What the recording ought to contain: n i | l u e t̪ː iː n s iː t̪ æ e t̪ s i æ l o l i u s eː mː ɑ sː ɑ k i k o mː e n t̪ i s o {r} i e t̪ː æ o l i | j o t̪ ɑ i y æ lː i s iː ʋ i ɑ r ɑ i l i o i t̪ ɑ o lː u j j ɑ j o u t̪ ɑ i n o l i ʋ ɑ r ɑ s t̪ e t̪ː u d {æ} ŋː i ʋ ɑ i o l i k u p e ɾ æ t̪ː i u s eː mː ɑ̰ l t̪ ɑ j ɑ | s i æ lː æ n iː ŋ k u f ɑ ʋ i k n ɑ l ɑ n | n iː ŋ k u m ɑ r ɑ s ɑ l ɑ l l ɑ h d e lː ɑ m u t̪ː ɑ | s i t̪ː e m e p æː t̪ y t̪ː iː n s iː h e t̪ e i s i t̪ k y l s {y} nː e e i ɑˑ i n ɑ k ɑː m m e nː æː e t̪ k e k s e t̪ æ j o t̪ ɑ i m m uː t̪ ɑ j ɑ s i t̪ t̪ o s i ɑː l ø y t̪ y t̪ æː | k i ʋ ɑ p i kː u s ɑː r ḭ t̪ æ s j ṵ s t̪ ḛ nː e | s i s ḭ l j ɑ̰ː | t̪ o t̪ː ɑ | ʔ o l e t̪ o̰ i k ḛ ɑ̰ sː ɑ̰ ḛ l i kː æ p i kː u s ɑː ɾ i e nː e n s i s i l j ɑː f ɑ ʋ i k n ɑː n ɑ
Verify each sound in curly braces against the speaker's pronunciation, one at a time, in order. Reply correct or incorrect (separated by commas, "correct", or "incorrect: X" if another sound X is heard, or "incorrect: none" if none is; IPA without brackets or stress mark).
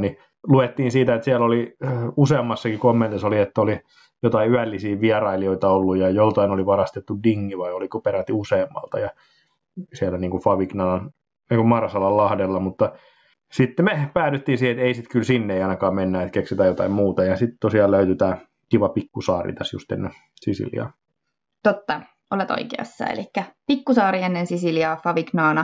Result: incorrect: l, incorrect: i, incorrect: i